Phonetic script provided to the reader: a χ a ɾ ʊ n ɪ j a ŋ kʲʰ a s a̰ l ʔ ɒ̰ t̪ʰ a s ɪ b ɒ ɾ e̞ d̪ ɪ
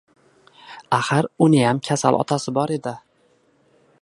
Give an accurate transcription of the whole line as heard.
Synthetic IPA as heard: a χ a ɾ ʊ n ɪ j a m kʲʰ a s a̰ l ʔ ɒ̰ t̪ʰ a s ɪ b ɒ ɾ e̞ d̪ ɪ